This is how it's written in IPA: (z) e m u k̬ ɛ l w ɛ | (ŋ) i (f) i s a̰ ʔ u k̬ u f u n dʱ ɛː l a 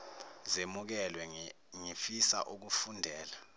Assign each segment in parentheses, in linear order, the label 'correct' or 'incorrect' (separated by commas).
correct, correct, correct